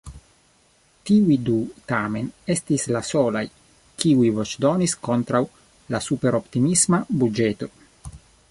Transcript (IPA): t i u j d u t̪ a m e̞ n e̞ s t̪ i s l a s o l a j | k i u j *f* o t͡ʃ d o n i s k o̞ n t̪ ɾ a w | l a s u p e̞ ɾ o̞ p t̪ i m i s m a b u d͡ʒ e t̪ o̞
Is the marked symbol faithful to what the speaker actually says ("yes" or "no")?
no